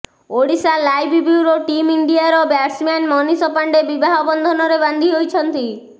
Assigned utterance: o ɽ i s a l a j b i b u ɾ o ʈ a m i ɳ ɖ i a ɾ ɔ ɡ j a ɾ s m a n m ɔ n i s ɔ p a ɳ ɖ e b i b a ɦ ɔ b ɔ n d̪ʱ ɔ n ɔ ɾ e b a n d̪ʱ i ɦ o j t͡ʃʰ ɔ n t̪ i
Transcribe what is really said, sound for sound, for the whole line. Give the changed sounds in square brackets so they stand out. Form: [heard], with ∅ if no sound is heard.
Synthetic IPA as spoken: o ɽ i s a l a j b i b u ɾ o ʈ [i] m i ɳ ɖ i a ɾ ɔ [b] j a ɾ s m a n m ɔ n i s ɔ p a ɳ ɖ e b i b a ɦ ɔ b ɔ n d̪ʱ ɔ n ɔ ɾ e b a n d̪ʱ i ɦ o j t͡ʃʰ ɔ n t̪ i

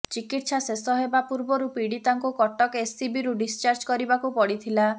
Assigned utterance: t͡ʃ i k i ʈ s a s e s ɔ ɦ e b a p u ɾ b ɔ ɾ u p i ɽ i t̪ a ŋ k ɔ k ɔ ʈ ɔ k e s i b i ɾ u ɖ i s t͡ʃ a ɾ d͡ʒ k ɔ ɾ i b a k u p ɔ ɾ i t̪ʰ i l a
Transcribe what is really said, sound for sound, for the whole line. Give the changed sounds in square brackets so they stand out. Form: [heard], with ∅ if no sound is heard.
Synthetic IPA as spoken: t͡ʃ i k i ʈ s a s e s ɔ ɦ e b a p u ɾ b ɔ ɾ u p i ɽ i t̪ a ŋ k [u] k ɔ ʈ ɔ k e s i b i ɾ u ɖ i s t͡ʃ a ɾ d͡ʒ k ɔ ɾ i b a k u p ɔ [ɽ] i t̪ʰ i l a

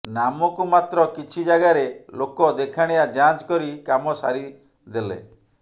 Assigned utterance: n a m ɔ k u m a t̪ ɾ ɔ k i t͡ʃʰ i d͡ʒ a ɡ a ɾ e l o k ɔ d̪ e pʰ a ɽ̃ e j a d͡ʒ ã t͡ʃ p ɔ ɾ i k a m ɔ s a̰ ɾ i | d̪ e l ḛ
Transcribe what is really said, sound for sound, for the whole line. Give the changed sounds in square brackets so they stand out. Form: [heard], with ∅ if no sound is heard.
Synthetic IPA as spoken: n a m ɔ k u m a t̪ ɾ ɔ k i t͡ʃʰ i d͡ʒ a ɡ a ɾ e l o k ɔ d̪ e [kʰ] a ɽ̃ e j a d͡ʒ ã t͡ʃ [k] ɔ ɾ i k a m ɔ s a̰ ɾ i | d̪ e l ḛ

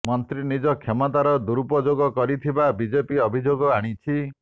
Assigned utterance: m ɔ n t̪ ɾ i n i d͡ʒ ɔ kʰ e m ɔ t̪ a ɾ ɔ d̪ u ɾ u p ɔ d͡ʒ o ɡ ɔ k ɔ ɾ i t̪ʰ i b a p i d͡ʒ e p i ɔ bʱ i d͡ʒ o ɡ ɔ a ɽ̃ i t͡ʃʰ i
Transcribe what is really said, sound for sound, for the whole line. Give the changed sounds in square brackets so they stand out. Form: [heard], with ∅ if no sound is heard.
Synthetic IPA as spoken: m ɔ n t̪ ɾ i n i d͡ʒ ɔ kʰ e m ɔ t̪ a ɾ ɔ d̪ u ɾ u p ɔ d͡ʒ o ɡ ɔ k ɔ ɾ i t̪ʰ i b a [b] i d͡ʒ e p i ɔ bʱ i d͡ʒ o ɡ ɔ a ɽ̃ i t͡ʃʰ i

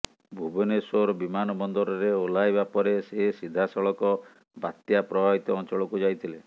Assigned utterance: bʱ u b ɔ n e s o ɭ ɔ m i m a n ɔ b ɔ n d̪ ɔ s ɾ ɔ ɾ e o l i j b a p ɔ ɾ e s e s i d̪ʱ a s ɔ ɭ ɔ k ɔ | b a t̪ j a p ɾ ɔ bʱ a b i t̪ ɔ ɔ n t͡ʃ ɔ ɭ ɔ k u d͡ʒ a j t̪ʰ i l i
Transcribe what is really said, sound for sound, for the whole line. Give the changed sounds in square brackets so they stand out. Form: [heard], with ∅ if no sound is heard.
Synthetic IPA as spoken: bʱ u b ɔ n e s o [ɾ] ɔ [b] i m a n ɔ b ɔ n d̪ ɔ [∅] ɾ ɔ ɾ e o l [a] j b a p ɔ ɾ e s e s i d̪ʱ a s ɔ ɭ ɔ k ɔ | b a t̪ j a p ɾ ɔ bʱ a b i t̪ ɔ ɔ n t͡ʃ ɔ ɭ ɔ k u d͡ʒ a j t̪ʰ i l [e]

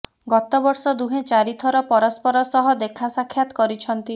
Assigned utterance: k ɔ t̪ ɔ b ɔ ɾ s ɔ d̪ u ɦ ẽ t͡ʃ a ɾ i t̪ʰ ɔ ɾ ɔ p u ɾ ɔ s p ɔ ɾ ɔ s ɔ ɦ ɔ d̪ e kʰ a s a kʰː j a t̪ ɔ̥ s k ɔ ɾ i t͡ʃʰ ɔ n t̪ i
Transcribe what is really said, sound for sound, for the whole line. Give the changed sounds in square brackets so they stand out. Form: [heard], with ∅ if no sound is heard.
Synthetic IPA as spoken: [ɡ] ɔ t̪ ɔ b ɔ ɾ s ɔ d̪ u ɦ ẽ t͡ʃ a ɾ i t̪ʰ ɔ ɾ ɔ p [ɔ] ɾ ɔ s p ɔ ɾ ɔ s ɔ ɦ ɔ d̪ e kʰ a s a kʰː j a t̪ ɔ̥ [∅] k ɔ ɾ i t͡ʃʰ ɔ n t̪ i

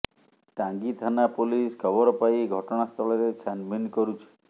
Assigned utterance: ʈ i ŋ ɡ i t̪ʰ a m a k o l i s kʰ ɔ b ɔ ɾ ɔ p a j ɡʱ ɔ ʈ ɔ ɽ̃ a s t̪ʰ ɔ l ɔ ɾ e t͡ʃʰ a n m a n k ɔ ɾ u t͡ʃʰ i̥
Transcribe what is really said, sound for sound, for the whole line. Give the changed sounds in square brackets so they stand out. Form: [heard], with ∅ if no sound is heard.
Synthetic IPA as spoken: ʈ [a] ŋ ɡ i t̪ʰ a [n] a [p] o l i s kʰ ɔ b ɔ ɾ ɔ p a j ɡʱ ɔ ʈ ɔ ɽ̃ a s t̪ʰ ɔ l ɔ ɾ e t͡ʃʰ a n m [i] n k ɔ ɾ u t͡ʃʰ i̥

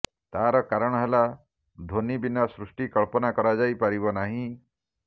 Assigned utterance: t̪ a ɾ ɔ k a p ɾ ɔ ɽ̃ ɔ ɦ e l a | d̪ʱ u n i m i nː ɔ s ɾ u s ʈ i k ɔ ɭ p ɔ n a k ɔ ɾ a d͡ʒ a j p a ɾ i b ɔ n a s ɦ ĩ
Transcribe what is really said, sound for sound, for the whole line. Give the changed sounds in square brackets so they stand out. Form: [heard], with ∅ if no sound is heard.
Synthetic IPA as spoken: t̪ a ɾ ɔ k a [∅] ɾ ɔ ɽ̃ ɔ ɦ e l a | d̪ʱ [o] n i [b] i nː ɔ s ɾ u s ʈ i k ɔ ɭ p ɔ n a k ɔ ɾ a d͡ʒ a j p a ɾ i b ɔ n a [∅] ɦ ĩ

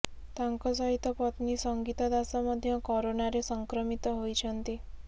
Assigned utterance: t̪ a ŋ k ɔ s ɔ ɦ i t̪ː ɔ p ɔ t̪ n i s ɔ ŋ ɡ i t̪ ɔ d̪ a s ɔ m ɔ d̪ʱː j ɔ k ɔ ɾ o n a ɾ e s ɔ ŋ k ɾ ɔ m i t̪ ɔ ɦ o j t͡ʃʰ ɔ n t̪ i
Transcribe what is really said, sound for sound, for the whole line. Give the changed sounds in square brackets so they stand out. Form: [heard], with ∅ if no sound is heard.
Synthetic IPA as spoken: t̪ a ŋ k ɔ s ɔ ɦ i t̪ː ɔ p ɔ t̪ n i s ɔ ŋ ɡ i t̪ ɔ d̪ a s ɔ m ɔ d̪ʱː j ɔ k ɔ ɾ o n a ɾ e s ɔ ŋ k ɾ ɔ m i t̪ ɔ ɦ o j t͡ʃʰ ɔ n t̪ i

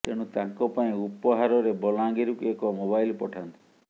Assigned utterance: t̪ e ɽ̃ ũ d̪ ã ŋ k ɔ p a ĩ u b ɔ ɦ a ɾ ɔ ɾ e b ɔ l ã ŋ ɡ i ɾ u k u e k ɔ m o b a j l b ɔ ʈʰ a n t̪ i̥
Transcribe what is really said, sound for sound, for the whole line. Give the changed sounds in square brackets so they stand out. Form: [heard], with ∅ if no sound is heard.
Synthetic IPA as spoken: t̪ e ɽ̃ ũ [t̪] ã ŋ k ɔ p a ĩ u [p] ɔ ɦ a ɾ ɔ ɾ e b ɔ l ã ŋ ɡ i ɾ u k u e k ɔ m o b a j l [p] ɔ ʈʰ a n t̪ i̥

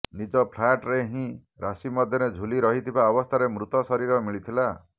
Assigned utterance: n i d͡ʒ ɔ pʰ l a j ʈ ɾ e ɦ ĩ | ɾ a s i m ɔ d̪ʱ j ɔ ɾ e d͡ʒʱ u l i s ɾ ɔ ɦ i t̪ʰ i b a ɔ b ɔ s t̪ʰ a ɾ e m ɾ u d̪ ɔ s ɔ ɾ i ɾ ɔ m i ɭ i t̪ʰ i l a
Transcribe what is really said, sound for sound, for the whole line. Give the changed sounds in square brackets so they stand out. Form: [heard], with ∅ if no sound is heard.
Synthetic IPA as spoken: n i d͡ʒ ɔ pʰ l a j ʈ ɾ e ɦ ĩ | ɾ a s i m ɔ d̪ʱ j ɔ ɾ e d͡ʒʱ u l i [∅] ɾ ɔ ɦ i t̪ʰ i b a ɔ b ɔ s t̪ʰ a ɾ e m ɾ u [t̪] ɔ s ɔ ɾ i ɾ ɔ m i ɭ i t̪ʰ i l a

